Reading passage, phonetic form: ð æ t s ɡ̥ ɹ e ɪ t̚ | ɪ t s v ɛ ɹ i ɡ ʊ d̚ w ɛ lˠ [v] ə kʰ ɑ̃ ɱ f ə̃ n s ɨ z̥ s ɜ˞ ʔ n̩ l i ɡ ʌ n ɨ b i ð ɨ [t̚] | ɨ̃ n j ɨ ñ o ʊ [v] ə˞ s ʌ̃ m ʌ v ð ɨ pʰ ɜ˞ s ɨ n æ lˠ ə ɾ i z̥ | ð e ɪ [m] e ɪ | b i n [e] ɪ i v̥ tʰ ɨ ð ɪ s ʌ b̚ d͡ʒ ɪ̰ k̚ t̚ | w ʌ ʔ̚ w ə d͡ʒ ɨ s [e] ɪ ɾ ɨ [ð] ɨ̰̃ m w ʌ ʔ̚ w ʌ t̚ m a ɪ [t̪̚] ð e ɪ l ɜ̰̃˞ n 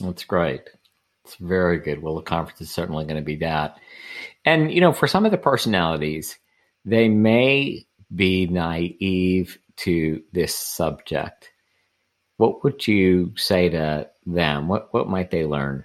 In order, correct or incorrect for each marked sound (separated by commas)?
incorrect, correct, incorrect, correct, incorrect, correct, correct, correct